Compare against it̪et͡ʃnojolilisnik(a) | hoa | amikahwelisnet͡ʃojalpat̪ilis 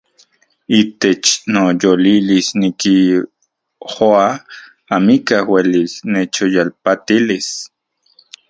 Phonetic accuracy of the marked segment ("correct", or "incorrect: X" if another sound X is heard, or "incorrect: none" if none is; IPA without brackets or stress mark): incorrect: i